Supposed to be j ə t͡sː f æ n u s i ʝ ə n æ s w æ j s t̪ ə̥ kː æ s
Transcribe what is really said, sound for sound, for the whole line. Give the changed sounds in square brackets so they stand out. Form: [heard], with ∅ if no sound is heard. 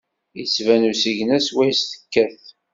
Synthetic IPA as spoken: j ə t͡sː [v] æ n u s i ʝ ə n æ s w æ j s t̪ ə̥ kː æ [θ]